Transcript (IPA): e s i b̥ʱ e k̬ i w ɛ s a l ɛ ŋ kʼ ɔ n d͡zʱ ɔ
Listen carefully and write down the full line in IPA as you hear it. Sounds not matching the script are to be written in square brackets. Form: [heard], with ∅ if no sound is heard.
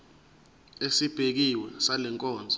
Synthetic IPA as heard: e s i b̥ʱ e k̬ i w ɛ s a l ɛ ŋ kʼ [ɔː] n d͡zʱ ɔ